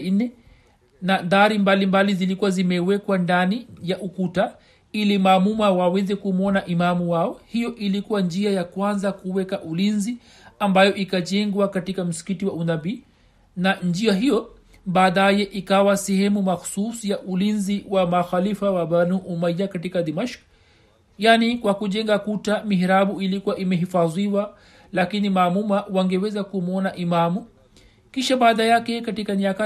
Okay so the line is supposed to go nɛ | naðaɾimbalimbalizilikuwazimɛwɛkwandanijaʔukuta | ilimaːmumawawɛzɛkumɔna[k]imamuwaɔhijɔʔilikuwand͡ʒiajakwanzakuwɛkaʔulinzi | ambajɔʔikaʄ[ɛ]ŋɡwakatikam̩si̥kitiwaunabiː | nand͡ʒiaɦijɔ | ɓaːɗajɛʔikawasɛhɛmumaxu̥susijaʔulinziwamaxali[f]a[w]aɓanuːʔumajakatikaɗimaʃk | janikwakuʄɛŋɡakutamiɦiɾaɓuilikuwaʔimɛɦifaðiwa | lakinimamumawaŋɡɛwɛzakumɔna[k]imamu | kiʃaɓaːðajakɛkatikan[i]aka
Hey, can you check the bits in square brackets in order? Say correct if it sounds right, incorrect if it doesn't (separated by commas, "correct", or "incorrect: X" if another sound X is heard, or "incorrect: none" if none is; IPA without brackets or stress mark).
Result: incorrect: ʔ, correct, correct, correct, incorrect: ʔ, correct